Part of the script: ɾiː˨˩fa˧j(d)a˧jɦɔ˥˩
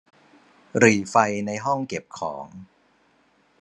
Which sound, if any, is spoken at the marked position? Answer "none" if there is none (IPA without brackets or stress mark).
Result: n